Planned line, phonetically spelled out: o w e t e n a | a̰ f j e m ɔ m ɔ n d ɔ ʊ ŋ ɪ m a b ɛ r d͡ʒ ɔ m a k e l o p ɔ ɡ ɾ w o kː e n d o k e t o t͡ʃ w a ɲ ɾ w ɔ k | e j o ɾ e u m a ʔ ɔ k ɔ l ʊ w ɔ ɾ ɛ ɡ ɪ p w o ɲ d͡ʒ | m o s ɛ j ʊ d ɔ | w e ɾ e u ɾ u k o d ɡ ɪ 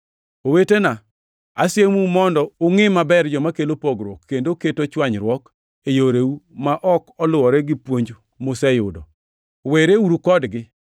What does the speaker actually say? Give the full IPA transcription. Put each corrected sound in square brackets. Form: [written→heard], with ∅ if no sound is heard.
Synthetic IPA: o w e t e n a | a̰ [f→s] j e m [ɔ→u] m ɔ n d ɔ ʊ ŋ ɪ m a b ɛ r d͡ʒ ɔ m a k e l o p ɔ ɡ ɾ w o kː e n d o k e t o t͡ʃ w a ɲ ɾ w ɔ k | e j o ɾ e u m a ʔ ɔ k ɔ l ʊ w ɔ ɾ ɛ ɡ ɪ p w o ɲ d͡ʒ | m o s ɛ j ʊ d ɔ | w e ɾ e u ɾ u k [o→ɔ] d ɡ ɪ